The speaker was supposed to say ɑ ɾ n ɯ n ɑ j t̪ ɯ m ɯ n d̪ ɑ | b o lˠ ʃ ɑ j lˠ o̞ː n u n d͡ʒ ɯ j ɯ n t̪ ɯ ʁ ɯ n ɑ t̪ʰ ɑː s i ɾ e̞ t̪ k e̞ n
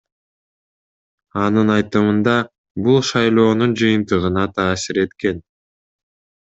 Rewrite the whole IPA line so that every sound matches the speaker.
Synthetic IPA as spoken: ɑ n ɯ n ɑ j t̪ ɯ m ɯ n d̪ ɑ | b u lˠ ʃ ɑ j lˠ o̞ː n u n d͡ʒ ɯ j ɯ n t̪ ɯ ʁ ɯ n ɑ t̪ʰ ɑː s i ɾ e̞ t̪ k e̞ n